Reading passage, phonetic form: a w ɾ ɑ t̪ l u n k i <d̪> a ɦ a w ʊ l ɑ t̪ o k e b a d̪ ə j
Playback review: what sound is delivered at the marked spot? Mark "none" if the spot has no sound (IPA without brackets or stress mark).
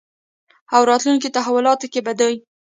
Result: t̪